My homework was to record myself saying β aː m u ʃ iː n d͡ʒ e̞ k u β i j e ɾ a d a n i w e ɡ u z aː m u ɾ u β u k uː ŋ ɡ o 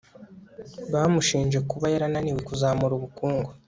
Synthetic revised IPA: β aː m u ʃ iː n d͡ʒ e̞ k u β a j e ɾ a n a n i w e k u z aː m u ɾ u β u k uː ŋ ɡ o

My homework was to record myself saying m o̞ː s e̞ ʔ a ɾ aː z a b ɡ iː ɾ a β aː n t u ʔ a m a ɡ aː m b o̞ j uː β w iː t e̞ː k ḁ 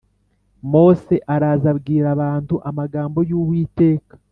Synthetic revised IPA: m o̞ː s e̞ ʔ a ɾ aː z a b ɡ iː ɾ a β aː n t u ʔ a m a ɡ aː m b o̞ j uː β w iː t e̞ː k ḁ

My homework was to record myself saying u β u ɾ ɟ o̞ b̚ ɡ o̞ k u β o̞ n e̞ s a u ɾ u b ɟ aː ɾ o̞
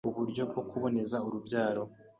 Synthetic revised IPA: u β u ɾ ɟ o̞ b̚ ɡ o̞ k u β o̞ n e̞ z a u ɾ u b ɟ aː ɾ o̞

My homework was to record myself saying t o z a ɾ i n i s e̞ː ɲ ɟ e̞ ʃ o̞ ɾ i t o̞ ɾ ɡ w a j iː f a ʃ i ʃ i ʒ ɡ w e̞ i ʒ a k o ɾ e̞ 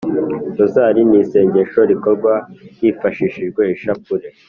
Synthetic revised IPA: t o z a ɾ i n i s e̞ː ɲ ɟ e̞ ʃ o̞ ɾ i k o̞ ɾ ɡ w a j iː f a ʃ i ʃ i ʒ ɡ w e̞ i ʃ a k u ɾ e̞

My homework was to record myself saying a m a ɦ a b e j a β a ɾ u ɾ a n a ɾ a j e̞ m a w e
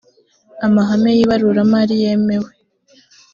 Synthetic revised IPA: a m a ɦ a m e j i β a ɾ u ɾ a m a ɾ i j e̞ m e w e

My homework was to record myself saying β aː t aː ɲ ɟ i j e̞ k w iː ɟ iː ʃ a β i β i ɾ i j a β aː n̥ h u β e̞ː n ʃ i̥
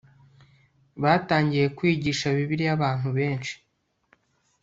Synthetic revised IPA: β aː t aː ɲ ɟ i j e̞ k w iː ɟ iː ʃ a β i β i ɾ i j a β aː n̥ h u β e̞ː n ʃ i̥

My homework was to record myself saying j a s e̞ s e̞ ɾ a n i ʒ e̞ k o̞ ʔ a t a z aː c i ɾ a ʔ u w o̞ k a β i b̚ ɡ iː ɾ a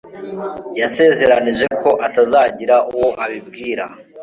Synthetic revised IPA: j a s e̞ z e̞ ɾ a n i ʒ e̞ k o̞ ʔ a t a z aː ɟ i ɾ a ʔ u w o̞ ʔ a β i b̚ ɡ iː ɾ a

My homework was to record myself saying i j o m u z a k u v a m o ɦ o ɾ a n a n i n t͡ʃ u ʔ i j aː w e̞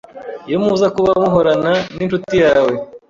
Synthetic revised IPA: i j o m u z a k u β a m u ɦ o ɾ a n a n i n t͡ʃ u t i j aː w e̞

